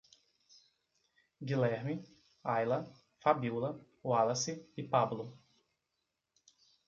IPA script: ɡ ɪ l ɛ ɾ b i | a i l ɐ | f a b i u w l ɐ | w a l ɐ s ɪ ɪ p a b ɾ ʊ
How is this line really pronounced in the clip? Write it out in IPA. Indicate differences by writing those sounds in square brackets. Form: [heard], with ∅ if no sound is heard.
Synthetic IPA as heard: ɡ [i] l ɛ ɾ [m] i | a [j] l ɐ | f a b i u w l ɐ | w a l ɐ s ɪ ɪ p a b [l] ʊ